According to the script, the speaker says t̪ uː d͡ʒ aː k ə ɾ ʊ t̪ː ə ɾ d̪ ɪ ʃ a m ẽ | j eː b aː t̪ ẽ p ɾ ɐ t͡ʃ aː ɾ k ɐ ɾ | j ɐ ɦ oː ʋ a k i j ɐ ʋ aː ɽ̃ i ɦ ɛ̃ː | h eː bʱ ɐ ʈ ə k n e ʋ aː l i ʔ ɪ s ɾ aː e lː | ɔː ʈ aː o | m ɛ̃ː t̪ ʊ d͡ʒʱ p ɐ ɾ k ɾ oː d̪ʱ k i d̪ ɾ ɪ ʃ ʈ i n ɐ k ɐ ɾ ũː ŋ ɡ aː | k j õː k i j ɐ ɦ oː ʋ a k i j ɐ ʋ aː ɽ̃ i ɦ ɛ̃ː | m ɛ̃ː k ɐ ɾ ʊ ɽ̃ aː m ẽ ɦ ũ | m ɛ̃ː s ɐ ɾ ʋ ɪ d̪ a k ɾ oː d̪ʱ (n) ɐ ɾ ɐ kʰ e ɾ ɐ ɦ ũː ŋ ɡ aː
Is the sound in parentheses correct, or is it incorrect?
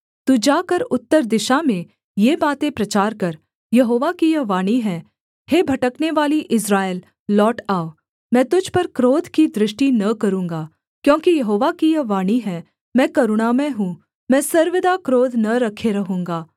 correct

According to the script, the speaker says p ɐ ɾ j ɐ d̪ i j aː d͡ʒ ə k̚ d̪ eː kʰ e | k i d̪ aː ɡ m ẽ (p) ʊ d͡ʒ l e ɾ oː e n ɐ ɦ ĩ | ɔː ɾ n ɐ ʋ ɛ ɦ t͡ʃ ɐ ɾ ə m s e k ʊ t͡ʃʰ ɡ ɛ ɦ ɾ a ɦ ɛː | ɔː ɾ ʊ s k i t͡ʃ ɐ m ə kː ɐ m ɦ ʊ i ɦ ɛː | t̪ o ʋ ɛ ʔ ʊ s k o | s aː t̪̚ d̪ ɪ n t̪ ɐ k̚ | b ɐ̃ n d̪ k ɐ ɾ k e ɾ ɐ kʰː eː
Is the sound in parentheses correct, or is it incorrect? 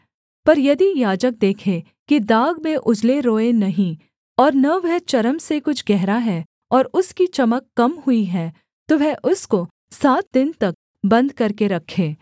incorrect: ʔ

